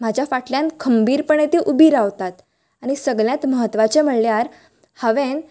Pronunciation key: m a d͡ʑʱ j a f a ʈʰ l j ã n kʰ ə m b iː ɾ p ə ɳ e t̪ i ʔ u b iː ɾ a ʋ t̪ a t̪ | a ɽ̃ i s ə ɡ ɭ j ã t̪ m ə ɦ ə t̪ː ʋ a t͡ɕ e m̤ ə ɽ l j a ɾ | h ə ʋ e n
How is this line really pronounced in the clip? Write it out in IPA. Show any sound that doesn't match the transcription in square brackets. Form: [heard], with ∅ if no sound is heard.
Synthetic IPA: m a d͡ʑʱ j a f a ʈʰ l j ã n kʰ ə m b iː ɾ p ə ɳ e t̪ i ʔ u b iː ɾ a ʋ t̪ a t̪ | a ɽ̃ i s ə ɡ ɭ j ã t̪ m ə ɦ ə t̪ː ʋ a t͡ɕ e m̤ ə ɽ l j a ɾ | h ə ʋ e n

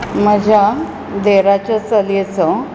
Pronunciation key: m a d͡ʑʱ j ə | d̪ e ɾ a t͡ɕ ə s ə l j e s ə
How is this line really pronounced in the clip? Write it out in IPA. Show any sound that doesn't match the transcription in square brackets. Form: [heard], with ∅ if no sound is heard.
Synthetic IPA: m [ə] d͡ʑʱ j [a] | d̪ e ɾ a t͡ɕ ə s ə l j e [t͡s] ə

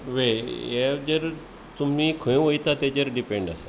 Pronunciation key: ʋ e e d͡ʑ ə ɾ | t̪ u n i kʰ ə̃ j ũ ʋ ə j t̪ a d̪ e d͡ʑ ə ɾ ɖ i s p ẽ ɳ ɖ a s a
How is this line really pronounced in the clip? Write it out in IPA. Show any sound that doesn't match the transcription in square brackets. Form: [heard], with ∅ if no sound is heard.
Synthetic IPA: ʋ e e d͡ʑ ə ɾ | t̪ u [m] i kʰ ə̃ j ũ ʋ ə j t̪ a [t̪] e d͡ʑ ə ɾ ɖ i [∅] p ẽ ɳ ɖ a s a

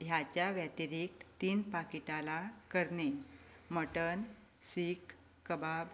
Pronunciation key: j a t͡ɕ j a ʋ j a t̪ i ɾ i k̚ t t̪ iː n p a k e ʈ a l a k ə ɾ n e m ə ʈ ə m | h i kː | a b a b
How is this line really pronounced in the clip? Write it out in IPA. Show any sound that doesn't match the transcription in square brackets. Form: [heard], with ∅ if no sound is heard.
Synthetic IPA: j a t͡ɕ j a ʋ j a t̪ i ɾ i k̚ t t̪ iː n p a k [i] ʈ a l a k ə ɾ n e m ə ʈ ə [n] | [s] i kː | [ə] b a b

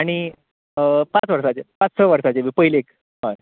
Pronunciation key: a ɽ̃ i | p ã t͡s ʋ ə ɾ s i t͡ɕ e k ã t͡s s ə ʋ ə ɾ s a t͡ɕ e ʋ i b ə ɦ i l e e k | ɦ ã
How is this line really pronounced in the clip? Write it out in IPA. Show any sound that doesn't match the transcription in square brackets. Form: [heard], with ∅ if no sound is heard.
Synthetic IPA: a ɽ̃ i | p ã t͡s ʋ ə ɾ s [a] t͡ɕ e [p] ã t͡s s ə ʋ ə ɾ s a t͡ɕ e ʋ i [p] ə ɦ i l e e k | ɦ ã

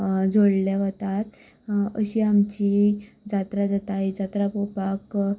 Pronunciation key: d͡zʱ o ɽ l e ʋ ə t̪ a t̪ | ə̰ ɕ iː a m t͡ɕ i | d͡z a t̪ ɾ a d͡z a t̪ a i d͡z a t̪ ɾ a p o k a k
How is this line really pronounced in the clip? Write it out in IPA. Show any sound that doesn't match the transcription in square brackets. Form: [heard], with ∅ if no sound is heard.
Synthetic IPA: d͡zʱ o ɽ l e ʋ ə t̪ a t̪ | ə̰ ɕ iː a m t͡ɕ i | d͡z a t̪ ɾ a d͡z a t̪ a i d͡z a t̪ ɾ a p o [p] a k

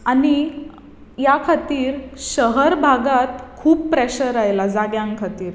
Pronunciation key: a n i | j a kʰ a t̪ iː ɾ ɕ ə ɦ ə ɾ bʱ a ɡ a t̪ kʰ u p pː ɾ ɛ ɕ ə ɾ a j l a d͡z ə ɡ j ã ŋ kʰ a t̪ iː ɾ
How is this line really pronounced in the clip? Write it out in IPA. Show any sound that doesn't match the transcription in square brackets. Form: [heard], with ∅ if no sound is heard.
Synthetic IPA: a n i | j a kʰ a t̪ iː ɾ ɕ ə ɦ ə ɾ bʱ a ɡ a t̪ kʰ [uː] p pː ɾ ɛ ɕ ə ɾ a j l a d͡z [a] ɡ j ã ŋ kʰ a t̪ iː ɾ

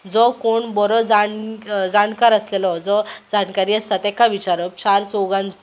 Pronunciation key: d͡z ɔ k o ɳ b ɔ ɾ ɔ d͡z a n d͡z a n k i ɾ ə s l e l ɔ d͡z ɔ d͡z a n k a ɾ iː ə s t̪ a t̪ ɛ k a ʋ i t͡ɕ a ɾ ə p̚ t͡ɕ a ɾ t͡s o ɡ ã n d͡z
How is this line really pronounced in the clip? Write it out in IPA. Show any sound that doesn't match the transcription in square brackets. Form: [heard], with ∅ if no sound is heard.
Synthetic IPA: d͡z ɔ k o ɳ b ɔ ɾ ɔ d͡z a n d͡z a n k [a] ɾ ə s l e l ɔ d͡z ɔ d͡z a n k a ɾ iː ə s t̪ a t̪ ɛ k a ʋ i t͡ɕ a ɾ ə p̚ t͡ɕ a ɾ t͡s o ɡ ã n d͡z

